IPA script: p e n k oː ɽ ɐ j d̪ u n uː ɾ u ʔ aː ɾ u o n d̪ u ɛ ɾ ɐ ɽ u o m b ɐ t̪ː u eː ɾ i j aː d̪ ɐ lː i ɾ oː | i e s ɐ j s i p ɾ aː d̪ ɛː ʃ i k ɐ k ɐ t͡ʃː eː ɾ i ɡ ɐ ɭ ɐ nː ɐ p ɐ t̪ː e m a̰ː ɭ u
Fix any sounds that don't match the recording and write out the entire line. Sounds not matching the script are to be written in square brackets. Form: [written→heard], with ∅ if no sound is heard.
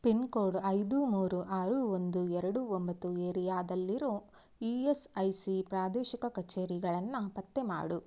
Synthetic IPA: p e n k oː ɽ ɐ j d̪ u [n→m] uː ɾ u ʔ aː ɾ u o n d̪ u ɛ ɾ ɐ ɽ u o m b ɐ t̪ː u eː ɾ i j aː d̪ ɐ lː i ɾ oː | i e s ɐ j s i p ɾ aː d̪ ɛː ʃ i k ɐ k ɐ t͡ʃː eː ɾ i ɡ ɐ ɭ ɐ nː ɐ p ɐ t̪ː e m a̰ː [ɭ→ɽ] u

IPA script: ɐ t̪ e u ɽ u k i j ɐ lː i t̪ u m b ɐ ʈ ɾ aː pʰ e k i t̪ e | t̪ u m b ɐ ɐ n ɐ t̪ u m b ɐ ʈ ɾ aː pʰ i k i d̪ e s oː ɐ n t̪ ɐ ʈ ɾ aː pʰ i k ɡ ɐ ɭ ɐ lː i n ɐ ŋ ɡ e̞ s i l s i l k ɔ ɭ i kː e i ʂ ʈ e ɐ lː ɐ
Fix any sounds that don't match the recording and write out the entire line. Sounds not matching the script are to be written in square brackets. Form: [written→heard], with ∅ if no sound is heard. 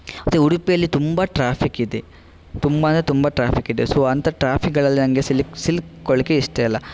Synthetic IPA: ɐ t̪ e u ɽ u [k→p] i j ɐ lː i t̪ u m b ɐ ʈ ɾ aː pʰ [e→i] k i [t̪→d̪] e | t̪ u m b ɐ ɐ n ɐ t̪ u m b ɐ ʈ ɾ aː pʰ i k i d̪ e s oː ɐ n t̪ ɐ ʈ ɾ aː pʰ i k ɡ ɐ ɭ ɐ lː i n ɐ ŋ ɡ e̞ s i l s i l k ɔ ɭ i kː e i ʂ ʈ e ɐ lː ɐ

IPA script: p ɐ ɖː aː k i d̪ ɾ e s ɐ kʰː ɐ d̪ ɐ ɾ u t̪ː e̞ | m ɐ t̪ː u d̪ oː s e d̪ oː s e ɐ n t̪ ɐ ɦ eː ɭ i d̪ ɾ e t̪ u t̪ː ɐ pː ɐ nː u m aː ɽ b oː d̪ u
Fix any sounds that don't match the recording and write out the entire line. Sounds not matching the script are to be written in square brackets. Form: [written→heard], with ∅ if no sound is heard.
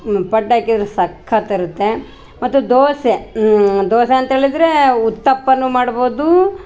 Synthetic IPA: p ɐ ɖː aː k i d̪ ɾ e s ɐ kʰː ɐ [d̪→t̪] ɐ ɾ u t̪ː e̞ | m ɐ t̪ː u d̪ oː s e d̪ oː s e ɐ n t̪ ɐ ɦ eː ɭ i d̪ ɾ e [t̪→∅] u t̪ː ɐ pː ɐ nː u m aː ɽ b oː d̪ u

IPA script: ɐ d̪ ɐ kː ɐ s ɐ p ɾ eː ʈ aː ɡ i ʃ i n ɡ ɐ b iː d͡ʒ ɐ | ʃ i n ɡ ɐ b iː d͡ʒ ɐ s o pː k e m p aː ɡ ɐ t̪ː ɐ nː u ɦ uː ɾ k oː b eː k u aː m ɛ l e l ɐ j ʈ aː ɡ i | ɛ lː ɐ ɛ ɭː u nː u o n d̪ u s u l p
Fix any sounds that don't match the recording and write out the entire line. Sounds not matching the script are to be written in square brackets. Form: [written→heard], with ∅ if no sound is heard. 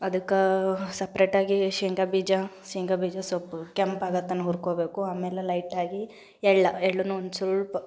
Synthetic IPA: ɐ d̪ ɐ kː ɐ s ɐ p ɾ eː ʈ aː ɡ i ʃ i [n→ŋ] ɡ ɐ b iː d͡ʒ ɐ | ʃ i [n→ŋ] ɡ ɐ b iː d͡ʒ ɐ s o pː k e m p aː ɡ ɐ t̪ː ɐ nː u ɦ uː ɾ k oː b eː k u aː m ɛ l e l ɐ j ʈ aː ɡ i | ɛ [lː→ɭː] ɐ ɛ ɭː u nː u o n d̪ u s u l p

